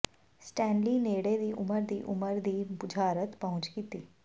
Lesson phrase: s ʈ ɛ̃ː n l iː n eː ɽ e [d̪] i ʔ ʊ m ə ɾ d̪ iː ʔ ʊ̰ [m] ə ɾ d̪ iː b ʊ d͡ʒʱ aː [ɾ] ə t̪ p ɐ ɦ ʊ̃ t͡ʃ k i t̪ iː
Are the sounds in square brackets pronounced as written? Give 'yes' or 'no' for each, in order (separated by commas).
yes, yes, yes